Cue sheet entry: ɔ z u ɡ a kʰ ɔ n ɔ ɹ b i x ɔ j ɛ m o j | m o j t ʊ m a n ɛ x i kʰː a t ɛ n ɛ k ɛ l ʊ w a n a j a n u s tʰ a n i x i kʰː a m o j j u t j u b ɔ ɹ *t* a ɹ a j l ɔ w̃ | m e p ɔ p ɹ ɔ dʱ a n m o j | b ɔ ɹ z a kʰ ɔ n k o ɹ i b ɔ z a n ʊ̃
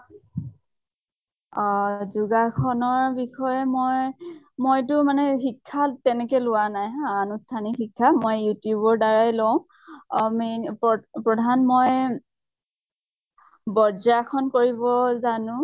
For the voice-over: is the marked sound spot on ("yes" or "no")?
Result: no